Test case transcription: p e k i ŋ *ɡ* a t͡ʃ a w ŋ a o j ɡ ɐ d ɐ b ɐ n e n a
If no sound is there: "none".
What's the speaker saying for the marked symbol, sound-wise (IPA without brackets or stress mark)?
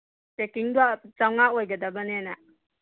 d